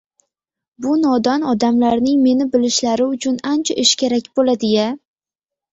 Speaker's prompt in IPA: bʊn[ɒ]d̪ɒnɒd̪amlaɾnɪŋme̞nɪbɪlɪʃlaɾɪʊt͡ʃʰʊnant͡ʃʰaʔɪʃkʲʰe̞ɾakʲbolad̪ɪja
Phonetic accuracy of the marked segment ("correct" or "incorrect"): correct